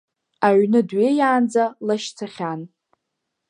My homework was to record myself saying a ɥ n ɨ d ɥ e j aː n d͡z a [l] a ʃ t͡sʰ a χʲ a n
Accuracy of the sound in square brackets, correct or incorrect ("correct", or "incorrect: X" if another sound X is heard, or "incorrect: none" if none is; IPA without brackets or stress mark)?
correct